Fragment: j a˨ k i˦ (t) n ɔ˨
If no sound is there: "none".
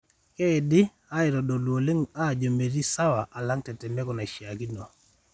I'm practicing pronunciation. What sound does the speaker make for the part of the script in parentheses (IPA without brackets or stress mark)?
none